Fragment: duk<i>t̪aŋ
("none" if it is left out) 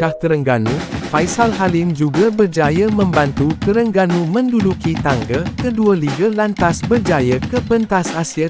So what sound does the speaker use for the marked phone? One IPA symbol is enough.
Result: i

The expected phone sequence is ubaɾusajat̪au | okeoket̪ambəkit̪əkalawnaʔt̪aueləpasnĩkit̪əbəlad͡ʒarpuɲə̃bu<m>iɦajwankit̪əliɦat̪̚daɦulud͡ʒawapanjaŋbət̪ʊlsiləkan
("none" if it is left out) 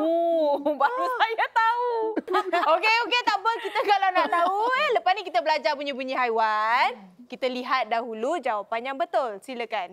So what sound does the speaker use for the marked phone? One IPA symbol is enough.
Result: ɲ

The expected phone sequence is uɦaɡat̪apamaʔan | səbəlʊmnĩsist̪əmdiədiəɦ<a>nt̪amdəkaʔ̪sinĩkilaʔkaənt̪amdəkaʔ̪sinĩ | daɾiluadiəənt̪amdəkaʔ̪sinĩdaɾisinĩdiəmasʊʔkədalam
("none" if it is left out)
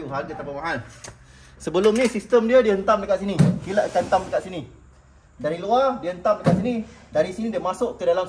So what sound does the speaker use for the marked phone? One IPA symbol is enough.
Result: ə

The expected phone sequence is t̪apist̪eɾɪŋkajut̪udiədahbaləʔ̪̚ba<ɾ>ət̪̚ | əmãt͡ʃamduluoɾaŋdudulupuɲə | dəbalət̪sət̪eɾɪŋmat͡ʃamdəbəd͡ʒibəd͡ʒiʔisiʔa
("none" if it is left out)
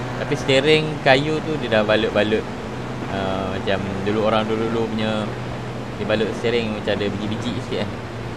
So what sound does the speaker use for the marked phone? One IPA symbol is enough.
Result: l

